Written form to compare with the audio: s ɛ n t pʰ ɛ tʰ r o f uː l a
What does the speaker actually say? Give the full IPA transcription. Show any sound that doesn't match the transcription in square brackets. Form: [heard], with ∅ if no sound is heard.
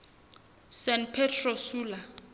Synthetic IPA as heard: s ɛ n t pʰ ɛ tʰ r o [s] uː l a